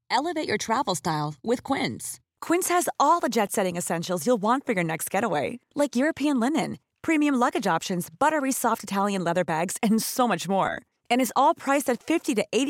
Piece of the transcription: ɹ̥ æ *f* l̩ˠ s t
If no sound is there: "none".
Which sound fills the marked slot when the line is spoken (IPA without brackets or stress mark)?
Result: v